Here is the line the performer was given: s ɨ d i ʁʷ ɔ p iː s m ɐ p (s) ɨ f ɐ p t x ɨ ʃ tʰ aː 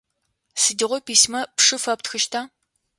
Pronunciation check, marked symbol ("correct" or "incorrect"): incorrect